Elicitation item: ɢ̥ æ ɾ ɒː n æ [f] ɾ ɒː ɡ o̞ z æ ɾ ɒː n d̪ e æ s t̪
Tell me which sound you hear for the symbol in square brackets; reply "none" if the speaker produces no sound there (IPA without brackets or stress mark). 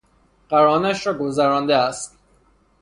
ʃ